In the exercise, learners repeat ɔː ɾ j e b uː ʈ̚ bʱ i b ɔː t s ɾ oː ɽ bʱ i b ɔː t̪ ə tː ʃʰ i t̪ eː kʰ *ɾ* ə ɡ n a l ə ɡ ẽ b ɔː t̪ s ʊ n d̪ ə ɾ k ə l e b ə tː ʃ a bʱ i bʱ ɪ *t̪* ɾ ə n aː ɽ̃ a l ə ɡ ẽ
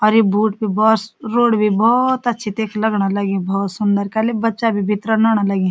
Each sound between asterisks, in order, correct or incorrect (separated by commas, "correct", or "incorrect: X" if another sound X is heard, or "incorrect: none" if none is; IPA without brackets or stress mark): incorrect: l, correct